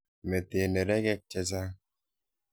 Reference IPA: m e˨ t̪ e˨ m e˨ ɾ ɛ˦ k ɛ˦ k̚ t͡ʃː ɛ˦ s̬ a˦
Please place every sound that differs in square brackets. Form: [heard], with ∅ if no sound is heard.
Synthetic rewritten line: m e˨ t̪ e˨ [n] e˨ ɾ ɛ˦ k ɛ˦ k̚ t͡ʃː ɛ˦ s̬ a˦